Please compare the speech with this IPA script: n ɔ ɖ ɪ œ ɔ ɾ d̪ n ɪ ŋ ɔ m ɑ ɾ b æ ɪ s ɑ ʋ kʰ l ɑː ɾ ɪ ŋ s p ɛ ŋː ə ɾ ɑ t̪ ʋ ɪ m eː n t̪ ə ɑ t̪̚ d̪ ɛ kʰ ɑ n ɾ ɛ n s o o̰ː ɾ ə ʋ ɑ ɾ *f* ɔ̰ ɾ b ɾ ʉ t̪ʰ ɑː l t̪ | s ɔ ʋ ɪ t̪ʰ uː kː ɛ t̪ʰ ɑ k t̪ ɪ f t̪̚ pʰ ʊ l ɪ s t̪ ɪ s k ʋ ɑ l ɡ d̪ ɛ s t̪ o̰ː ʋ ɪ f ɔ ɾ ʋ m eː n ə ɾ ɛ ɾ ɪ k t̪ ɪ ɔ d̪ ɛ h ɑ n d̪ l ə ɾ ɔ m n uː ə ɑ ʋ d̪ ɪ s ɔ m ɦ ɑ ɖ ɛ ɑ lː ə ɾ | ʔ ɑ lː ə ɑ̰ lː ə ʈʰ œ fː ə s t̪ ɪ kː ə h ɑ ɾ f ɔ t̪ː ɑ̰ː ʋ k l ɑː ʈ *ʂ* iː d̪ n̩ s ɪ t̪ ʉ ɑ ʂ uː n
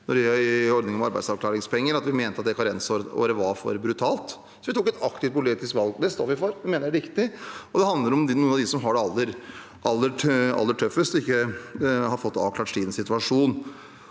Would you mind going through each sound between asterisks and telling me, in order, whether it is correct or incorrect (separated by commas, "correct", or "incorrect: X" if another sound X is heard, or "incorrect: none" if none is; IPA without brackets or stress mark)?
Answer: correct, correct